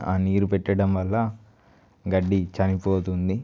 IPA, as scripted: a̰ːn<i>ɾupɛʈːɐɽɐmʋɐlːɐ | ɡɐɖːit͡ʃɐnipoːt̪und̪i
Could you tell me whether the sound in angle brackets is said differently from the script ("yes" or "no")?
yes